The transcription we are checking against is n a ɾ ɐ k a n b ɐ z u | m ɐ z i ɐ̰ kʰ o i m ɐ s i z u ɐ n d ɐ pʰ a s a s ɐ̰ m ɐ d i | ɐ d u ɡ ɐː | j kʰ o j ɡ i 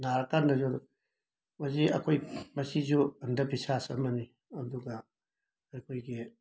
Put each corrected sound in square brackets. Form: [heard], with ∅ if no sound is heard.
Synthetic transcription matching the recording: n a ɾ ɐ k a n [d] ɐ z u | m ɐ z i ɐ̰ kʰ o [j] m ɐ s i z u ɐ n d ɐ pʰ [i] s a s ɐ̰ m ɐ [n] i | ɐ d u ɡ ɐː | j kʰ o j ɡ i